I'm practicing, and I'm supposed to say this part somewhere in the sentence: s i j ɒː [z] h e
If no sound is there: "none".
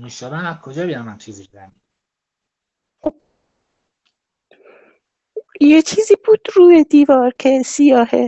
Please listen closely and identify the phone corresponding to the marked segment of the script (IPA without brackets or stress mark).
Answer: none